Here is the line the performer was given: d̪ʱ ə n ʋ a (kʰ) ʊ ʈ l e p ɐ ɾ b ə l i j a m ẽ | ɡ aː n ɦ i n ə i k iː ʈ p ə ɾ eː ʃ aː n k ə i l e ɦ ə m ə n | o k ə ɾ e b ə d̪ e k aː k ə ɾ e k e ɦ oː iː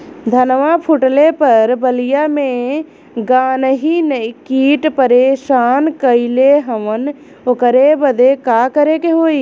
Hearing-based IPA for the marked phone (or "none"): pʰ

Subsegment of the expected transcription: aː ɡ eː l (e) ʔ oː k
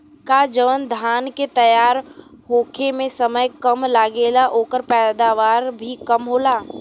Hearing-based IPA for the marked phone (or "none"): a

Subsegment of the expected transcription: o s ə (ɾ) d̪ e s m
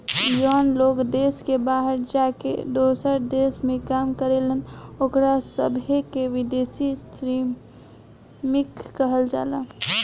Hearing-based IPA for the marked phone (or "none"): ɾ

